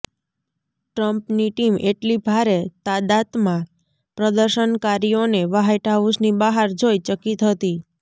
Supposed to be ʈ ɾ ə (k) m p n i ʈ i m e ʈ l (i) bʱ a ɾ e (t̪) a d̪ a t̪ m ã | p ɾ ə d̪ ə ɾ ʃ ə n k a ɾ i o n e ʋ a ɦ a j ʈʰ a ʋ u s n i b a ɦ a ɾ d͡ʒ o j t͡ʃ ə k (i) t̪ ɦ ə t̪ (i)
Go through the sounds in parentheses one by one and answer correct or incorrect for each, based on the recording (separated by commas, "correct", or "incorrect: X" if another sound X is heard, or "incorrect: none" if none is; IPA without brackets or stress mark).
incorrect: none, correct, correct, correct, correct